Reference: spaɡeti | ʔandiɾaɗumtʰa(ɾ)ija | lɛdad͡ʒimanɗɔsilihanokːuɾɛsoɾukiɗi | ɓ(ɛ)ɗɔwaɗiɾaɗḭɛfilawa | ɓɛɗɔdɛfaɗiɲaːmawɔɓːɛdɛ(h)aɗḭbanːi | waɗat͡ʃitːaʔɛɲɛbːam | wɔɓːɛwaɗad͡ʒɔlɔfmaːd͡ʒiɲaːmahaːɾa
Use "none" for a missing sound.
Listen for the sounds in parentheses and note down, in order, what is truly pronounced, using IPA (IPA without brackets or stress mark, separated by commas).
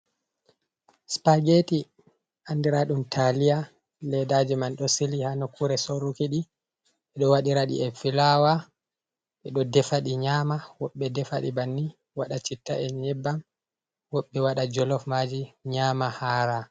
l, ɛ, f